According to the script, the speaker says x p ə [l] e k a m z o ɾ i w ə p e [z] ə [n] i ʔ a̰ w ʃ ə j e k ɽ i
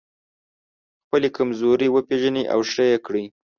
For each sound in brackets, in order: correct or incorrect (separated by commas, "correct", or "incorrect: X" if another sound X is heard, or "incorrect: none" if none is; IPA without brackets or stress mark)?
correct, incorrect: ʒ, correct